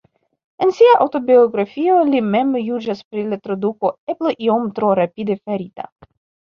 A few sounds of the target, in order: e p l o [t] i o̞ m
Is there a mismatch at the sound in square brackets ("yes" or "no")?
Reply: yes